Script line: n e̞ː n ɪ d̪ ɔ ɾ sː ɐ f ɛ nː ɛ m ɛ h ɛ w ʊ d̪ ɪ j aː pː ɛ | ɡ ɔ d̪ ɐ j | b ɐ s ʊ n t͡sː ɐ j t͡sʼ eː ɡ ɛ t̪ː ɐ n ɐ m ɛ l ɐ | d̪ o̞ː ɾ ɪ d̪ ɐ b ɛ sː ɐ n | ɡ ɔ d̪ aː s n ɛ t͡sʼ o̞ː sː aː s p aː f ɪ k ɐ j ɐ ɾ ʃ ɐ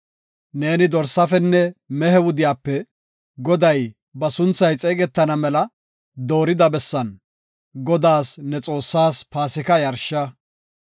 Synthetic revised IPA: n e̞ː n ɪ d̪ ɔ ɾ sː ɐ f ɛ nː ɛ m ɛ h ɛ w ʊ d̪ ɪ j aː pː ɛ | ɡ ɔ d̪ ɐ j | b ɐ s ʊ n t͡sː ɐ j t͡sʼ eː ɡ ɛ t̪ː ɐ n ɐ m ɛ l ɐ | d̪ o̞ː ɾ ɪ d̪ ɐ b ɛ sː ɐ n | ɡ ɔ d̪ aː s n ɛ t͡sʼ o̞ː sː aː s p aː s ɪ k ɐ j ɐ ɾ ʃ ɐ